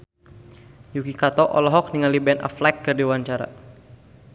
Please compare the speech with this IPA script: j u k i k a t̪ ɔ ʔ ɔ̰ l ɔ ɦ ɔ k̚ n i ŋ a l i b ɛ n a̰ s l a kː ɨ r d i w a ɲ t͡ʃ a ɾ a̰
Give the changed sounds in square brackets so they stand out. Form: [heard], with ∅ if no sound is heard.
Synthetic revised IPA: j u k i k a t̪ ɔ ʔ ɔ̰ l ɔ ɦ ɔ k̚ n i ŋ a l i b ɛ n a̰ [f] l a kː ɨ r d i w a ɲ t͡ʃ a ɾ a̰